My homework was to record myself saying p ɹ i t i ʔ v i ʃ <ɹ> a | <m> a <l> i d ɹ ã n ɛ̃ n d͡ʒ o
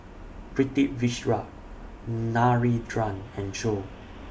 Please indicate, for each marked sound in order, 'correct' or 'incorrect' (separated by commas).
correct, incorrect, incorrect